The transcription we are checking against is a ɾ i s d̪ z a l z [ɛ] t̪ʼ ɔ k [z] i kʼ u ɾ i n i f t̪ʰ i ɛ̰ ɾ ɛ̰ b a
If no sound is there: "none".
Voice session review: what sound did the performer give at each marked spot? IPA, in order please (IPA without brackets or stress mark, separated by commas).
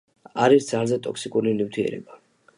ɛ, s